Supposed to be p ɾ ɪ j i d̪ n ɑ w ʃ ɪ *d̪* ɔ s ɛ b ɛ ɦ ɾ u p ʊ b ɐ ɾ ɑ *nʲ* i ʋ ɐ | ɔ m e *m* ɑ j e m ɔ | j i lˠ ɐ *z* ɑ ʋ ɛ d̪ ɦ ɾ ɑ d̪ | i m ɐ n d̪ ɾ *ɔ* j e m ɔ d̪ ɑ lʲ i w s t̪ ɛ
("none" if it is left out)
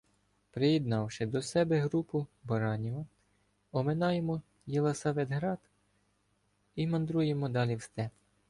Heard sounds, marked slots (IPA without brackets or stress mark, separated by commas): d̪, nʲ, n, s, u